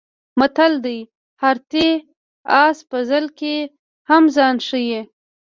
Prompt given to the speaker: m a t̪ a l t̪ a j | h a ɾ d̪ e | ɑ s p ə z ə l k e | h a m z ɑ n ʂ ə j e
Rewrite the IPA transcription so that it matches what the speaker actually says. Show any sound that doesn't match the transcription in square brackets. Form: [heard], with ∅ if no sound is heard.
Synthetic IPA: m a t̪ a l [d̪] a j | h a ɾ [t̪] e | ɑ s p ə z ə l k e | h a m z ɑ n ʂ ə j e

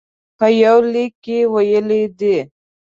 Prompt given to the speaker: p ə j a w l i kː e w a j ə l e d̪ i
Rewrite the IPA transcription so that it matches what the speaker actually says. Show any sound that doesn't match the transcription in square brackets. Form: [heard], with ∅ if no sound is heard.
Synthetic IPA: p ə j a w l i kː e w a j ə l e d̪ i

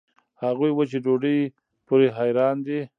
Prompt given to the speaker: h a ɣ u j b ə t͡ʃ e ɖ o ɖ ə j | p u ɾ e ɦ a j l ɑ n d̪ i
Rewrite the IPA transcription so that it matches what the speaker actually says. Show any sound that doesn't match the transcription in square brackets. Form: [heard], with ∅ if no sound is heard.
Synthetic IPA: h a ɣ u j [w] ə t͡ʃ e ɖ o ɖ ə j | p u ɾ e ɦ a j [ɾ] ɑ n d̪ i

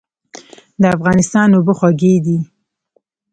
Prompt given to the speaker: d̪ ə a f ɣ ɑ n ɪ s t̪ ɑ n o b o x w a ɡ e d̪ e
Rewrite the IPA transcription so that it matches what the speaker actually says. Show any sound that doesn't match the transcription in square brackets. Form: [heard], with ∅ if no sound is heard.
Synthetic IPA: d̪ ə a f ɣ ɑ n ɪ s t̪ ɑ n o b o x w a ɡ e d̪ [i]

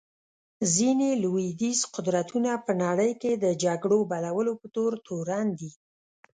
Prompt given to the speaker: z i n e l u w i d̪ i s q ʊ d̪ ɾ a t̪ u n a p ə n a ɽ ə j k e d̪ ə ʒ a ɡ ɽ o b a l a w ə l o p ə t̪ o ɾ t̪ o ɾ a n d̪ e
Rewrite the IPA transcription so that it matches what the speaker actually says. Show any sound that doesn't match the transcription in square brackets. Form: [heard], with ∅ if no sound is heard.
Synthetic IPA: z i n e l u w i d̪ i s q ʊ d̪ ɾ a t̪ u n a p ə n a ɽ ə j k e d̪ ə [d͡ʒ] a ɡ ɽ o b a l a w ə l o p ə t̪ o ɾ t̪ o ɾ a n d̪ [i]

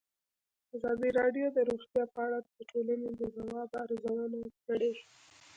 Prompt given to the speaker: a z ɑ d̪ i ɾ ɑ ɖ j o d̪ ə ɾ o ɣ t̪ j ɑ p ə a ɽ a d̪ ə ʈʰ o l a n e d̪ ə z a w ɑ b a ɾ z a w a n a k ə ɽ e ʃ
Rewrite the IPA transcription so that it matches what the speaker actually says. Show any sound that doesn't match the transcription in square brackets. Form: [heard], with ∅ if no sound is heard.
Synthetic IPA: a z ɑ d̪ i ɾ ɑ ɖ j o d̪ ə ɾ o [x] t̪ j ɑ p ə a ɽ a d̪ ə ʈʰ o l a n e d̪ ə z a w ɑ b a ɾ z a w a n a k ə ɽ e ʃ

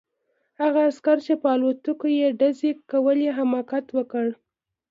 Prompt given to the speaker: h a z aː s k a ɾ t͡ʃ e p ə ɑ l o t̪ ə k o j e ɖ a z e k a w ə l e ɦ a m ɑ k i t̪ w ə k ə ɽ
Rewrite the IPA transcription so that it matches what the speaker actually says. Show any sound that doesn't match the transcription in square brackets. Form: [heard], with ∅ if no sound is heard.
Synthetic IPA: h a [ɣ] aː s k a ɾ t͡ʃ e p ə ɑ l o t̪ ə k o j e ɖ a z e k a w ə l e ɦ a m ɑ k [a] t̪ w ə k ə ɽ

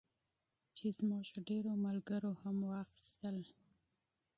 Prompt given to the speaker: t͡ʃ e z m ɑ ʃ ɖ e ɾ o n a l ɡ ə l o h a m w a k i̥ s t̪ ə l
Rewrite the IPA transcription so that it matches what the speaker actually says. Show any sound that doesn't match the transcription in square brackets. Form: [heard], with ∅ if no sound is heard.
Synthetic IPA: t͡ʃ e z m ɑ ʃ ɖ e ɾ o [m] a l ɡ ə [ɾ] o h a m w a [x] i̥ s t̪ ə l

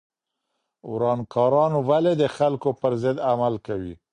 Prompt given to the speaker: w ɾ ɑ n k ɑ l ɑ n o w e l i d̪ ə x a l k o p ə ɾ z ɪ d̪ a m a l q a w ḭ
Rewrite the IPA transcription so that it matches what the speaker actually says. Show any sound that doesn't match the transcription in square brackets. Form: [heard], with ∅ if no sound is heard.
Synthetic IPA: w ɾ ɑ n k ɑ [ɾ] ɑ n o w [a] l [e] d̪ ə x a l k o p ə ɾ z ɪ d̪ a m a l [k] a w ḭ

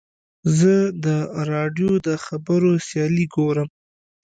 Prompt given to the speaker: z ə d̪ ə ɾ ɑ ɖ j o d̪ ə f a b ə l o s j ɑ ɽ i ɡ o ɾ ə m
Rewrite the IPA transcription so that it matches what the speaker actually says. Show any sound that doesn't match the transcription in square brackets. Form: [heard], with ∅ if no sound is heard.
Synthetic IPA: z ə d̪ ə ɾ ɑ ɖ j o d̪ ə [x] a b ə [ɾ] o s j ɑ [l] i ɡ o ɾ ə m

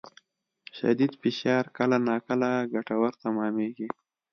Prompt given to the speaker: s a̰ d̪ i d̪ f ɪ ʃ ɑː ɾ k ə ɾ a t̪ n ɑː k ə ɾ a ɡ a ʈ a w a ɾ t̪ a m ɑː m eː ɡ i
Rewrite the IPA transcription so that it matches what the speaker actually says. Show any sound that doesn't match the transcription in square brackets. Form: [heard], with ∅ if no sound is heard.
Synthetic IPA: [ʃ] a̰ d̪ i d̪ f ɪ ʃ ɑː ɾ k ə [l] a [∅] n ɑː k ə [l] a ɡ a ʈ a w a ɾ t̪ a m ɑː m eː ɡ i

